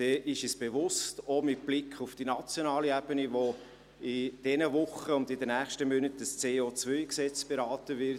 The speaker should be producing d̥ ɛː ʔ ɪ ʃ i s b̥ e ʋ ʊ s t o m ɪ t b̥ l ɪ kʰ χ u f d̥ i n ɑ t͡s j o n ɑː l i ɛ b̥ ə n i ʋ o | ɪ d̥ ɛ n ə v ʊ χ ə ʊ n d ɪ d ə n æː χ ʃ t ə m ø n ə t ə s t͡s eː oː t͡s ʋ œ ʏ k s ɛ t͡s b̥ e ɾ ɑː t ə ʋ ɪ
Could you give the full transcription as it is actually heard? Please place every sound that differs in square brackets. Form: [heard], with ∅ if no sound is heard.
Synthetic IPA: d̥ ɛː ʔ ɪ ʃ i s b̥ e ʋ ʊ s t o m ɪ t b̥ l ɪ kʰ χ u f d̥ i n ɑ t͡s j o n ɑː l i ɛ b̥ ə n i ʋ o | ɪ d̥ ɛ n ə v ʊ χ ə ʊ n d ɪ d ə n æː χ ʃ t ə m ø n ə t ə s t͡s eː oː t͡s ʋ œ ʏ k s ɛ t͡s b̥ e ɾ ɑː t ə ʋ ɪ